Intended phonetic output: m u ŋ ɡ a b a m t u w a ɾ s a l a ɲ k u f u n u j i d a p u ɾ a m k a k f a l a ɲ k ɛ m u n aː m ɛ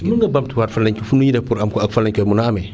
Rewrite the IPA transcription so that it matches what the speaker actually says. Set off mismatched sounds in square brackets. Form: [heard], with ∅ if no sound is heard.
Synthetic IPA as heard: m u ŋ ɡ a b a m t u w a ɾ [f] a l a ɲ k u f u n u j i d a p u ɾ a m k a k f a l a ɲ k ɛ m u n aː m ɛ

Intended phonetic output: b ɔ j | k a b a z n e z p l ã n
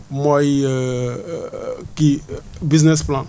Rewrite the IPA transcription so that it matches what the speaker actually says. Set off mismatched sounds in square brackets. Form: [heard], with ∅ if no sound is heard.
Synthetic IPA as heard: [m] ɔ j | k [i] b [i] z n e [s] p l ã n

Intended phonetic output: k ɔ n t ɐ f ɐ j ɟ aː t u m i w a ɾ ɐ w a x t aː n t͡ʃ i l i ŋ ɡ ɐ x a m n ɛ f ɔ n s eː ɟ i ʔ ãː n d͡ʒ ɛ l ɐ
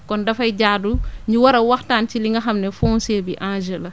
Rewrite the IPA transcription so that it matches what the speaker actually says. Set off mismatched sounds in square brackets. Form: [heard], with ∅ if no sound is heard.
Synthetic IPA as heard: k ɔ n [d] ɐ f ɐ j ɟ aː [d] u [ɲ] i w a ɾ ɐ w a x t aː n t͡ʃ i l i ŋ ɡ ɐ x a m n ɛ f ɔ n s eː [b] i ʔ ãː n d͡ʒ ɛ l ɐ

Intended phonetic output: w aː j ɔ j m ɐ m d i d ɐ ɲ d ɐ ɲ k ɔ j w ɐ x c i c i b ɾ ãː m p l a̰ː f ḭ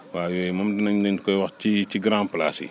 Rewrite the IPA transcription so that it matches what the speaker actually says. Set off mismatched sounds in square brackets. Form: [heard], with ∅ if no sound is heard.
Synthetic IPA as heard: w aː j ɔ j m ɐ m d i [n] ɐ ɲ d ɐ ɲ k ɔ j w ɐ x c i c i [ɡ] ɾ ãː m p l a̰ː [s] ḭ

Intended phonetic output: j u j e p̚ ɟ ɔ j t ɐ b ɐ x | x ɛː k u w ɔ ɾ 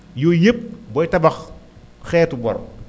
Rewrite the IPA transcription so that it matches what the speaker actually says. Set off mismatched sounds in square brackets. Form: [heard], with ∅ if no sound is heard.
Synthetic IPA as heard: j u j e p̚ [b] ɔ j t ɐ b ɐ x | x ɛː [t] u [b] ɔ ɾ

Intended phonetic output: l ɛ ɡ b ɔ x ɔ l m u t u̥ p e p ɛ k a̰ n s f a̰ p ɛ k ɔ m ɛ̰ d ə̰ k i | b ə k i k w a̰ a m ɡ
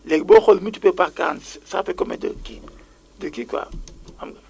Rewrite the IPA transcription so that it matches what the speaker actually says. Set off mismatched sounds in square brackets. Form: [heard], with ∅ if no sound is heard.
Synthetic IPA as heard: l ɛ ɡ b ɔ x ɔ l m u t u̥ p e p [a] k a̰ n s [s] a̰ p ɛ k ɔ m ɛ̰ d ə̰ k i | [d] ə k i k w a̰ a m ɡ

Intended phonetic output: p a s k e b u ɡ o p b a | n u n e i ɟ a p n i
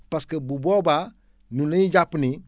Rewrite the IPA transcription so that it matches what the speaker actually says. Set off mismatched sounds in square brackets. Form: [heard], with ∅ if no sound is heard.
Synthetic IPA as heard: p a s k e b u [b] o [∅] b a | n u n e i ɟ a p n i

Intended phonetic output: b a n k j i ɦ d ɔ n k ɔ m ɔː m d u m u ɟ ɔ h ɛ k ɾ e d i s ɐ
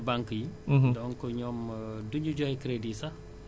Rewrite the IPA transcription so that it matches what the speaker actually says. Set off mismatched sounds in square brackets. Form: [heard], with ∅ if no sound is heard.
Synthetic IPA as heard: b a [ŋ] k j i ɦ d ɔ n k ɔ [ɲ] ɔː m d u [ɲ] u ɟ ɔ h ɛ k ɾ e d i s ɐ

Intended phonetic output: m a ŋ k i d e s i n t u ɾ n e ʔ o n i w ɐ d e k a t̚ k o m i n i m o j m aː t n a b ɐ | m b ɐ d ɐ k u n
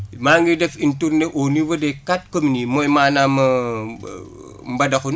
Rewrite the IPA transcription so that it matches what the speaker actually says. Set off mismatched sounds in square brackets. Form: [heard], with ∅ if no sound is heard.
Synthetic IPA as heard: m a ŋ [ɡ] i d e [f] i n t u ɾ n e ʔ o n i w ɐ d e k a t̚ k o m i n i m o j m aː [∅] n a [m] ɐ | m b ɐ d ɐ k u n

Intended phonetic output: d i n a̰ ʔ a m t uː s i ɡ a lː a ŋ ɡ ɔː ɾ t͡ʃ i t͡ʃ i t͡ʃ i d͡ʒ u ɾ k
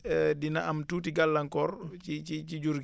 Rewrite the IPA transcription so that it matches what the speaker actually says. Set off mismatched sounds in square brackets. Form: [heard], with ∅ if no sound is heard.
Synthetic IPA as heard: d i n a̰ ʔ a m t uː [t] i ɡ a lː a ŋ [k] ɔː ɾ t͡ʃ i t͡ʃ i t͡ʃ i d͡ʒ u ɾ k

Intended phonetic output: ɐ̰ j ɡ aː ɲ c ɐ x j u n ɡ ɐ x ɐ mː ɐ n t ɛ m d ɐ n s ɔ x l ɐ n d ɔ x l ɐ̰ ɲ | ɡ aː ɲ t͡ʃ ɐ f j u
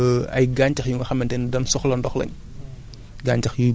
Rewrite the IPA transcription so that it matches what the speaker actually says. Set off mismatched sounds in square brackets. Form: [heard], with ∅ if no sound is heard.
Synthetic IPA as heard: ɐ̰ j ɡ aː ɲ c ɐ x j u [ŋ] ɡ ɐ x ɐ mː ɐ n t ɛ [n] d ɐ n s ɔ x l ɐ n d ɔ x l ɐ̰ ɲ | ɡ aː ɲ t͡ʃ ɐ [x] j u

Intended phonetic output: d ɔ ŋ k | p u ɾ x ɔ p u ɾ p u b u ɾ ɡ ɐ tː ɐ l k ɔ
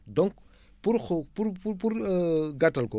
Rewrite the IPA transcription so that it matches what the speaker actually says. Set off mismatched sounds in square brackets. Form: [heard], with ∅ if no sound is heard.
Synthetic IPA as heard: d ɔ ŋ k | p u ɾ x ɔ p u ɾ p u [p] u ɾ ɡ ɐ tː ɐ l k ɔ

